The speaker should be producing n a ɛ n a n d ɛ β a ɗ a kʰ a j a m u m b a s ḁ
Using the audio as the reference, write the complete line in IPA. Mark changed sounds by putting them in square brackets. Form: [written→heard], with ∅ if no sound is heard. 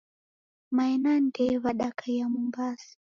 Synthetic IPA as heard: [n→m] a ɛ n a n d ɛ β a ɗ a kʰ a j a m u m b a s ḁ